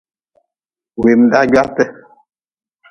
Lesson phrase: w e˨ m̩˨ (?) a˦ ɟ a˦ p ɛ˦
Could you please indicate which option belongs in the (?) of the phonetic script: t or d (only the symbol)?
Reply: d